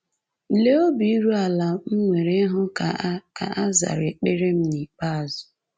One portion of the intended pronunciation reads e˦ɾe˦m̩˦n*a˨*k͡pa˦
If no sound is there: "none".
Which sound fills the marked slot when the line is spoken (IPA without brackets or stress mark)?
i˨